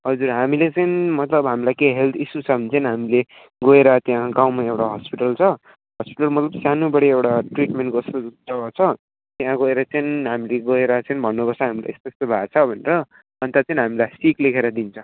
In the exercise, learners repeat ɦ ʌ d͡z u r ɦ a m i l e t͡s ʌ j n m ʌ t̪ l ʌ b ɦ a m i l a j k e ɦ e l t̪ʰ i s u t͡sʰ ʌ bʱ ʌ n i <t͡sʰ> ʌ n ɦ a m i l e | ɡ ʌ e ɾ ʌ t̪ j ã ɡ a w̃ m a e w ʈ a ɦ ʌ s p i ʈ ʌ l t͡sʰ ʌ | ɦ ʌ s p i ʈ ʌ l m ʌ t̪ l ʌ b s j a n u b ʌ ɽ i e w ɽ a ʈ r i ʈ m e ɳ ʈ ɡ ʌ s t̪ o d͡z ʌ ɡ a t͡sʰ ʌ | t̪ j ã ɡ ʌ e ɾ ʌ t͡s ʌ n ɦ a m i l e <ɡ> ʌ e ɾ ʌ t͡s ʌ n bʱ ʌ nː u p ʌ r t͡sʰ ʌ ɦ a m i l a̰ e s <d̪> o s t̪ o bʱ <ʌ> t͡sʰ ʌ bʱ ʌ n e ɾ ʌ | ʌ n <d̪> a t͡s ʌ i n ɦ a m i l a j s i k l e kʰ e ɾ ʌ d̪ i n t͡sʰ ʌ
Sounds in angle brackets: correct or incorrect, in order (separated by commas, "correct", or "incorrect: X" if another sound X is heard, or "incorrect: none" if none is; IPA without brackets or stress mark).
incorrect: t͡s, correct, incorrect: t̪, incorrect: a, incorrect: t̪